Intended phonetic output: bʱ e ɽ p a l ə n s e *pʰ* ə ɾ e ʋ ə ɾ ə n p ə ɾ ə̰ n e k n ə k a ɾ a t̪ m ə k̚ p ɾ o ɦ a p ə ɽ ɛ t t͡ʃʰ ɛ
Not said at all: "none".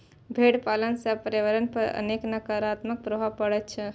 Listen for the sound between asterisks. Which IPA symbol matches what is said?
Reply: p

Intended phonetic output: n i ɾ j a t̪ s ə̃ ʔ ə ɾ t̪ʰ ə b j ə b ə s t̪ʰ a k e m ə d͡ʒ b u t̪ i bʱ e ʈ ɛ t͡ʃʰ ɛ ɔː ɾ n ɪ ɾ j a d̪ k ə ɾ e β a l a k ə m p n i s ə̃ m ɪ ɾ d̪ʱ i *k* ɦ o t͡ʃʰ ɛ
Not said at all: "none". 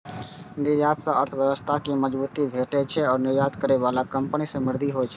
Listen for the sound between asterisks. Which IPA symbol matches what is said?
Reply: none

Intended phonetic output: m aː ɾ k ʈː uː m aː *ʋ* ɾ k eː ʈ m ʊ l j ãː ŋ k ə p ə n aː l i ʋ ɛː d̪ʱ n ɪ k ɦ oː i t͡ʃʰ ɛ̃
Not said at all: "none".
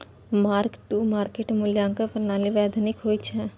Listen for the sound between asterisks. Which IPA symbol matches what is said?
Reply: none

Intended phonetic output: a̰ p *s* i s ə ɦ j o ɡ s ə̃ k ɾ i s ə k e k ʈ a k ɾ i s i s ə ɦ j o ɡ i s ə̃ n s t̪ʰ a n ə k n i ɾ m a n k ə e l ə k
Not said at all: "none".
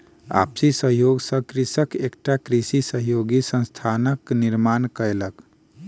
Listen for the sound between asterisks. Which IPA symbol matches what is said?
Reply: s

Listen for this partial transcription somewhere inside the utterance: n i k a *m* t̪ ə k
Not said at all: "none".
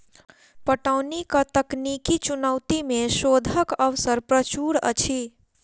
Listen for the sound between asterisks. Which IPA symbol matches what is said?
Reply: none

